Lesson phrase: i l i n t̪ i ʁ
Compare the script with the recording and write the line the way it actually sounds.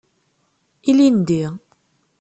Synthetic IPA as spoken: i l i n d̪ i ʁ